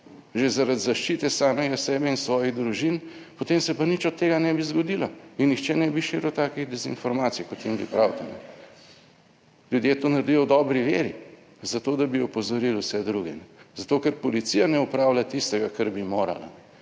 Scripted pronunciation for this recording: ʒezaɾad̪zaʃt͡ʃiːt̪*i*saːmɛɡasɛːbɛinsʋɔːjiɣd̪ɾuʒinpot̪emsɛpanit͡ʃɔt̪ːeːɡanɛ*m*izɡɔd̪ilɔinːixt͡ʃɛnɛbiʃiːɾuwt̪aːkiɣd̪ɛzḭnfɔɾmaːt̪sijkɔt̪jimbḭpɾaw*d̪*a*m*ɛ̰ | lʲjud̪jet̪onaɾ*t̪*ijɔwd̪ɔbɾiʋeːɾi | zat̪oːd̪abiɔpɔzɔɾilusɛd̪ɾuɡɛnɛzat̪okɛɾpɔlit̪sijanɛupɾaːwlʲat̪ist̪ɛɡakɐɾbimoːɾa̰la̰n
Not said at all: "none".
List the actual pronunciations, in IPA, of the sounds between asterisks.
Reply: ɛ, b, t̪, n, d̪

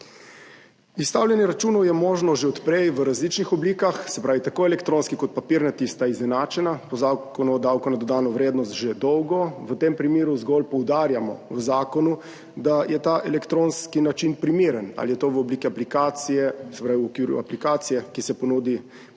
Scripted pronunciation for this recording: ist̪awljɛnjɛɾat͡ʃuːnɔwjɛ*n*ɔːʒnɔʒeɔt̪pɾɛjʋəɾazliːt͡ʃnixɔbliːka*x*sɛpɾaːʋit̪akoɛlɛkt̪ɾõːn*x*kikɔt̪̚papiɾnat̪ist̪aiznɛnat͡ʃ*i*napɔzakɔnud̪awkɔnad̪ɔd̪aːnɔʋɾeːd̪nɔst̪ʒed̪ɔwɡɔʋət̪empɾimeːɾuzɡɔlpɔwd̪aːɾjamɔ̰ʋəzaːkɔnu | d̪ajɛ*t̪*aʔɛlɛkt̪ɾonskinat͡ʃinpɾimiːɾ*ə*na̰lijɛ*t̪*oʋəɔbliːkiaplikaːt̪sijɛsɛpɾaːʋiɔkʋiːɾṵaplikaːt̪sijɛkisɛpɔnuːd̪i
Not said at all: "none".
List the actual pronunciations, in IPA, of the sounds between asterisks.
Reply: m, x, s, ɛ, t̪, ə, t̪

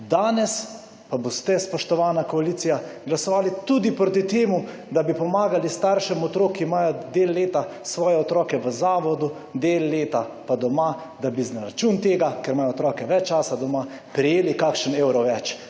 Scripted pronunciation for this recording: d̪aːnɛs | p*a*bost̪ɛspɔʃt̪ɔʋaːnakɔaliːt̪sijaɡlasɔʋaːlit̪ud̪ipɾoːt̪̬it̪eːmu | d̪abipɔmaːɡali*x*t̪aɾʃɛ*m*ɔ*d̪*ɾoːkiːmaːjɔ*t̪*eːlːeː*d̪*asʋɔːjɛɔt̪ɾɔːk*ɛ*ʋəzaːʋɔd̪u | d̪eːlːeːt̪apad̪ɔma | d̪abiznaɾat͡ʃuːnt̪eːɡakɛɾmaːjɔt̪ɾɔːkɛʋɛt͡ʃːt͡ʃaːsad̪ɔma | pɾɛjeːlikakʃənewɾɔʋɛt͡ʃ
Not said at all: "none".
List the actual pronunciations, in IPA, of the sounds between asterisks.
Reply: a, s, m, t̪, d̪, t̪, ɛ

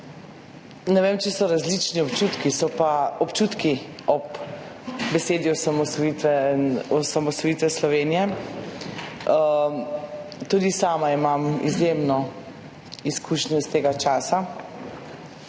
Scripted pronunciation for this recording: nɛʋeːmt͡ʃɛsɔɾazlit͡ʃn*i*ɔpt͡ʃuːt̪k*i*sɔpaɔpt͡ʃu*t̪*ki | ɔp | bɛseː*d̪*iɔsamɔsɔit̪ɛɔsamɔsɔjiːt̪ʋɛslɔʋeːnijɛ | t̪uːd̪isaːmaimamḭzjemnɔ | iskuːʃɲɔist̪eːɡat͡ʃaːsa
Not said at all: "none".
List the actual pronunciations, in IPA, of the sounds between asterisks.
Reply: i, i, t̪, d̪

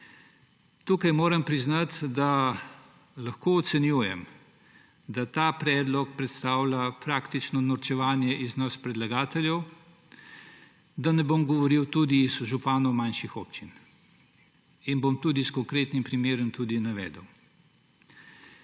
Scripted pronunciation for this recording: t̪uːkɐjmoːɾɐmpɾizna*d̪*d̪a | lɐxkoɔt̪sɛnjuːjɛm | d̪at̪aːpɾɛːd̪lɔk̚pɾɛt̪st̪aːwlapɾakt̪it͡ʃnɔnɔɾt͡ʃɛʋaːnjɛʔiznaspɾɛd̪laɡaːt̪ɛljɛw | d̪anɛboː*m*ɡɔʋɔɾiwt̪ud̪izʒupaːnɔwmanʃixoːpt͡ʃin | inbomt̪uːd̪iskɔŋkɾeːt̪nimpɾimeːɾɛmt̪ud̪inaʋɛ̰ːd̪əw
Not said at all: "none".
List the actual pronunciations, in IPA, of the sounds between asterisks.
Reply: t̪, m

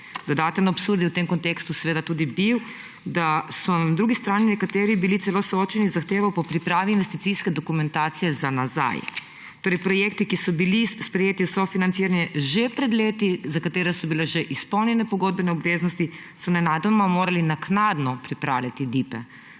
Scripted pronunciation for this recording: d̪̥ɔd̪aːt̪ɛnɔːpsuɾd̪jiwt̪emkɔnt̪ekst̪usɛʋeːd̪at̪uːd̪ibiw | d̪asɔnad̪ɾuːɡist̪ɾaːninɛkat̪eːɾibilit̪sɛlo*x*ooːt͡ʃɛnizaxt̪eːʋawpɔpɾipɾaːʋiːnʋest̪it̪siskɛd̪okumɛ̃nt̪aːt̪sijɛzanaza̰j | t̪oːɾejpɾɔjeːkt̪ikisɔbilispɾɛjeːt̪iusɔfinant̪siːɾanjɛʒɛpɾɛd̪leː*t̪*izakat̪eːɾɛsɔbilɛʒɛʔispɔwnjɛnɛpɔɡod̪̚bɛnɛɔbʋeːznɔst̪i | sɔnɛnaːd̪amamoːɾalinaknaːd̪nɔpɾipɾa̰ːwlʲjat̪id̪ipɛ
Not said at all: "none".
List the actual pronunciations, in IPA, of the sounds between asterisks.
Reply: s, t̪

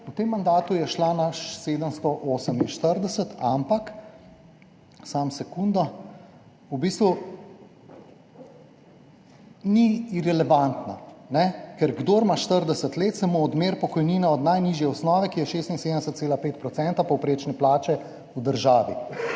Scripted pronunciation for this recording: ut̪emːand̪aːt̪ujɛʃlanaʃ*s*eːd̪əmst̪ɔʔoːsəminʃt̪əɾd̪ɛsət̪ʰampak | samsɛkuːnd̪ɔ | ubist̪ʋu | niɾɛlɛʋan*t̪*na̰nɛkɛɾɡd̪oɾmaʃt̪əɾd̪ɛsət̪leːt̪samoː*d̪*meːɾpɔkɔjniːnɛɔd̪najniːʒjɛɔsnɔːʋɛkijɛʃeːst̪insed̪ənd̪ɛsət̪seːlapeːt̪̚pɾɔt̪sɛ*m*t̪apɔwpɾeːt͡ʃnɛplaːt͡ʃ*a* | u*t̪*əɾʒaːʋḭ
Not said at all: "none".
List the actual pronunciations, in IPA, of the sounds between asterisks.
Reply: s, t̪, d̪, n, ɛ, d̪

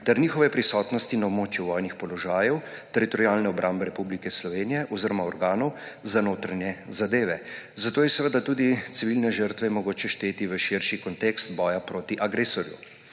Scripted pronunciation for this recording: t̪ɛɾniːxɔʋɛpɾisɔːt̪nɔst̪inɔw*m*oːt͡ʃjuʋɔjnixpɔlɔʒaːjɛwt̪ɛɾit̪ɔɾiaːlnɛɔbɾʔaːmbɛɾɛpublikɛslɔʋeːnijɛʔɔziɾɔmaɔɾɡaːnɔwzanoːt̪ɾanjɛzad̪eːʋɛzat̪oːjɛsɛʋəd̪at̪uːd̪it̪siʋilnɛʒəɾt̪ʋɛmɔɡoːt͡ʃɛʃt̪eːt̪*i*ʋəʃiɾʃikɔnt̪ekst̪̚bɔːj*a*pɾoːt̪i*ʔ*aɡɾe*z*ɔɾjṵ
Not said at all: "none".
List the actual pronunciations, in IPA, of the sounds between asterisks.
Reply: m, i, a, ʔ, s

